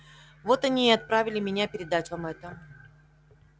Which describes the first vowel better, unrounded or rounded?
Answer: rounded